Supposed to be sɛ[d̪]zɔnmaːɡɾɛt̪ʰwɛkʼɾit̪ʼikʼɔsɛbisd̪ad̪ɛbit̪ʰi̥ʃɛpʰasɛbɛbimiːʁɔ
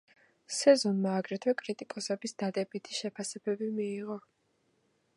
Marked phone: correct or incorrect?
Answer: incorrect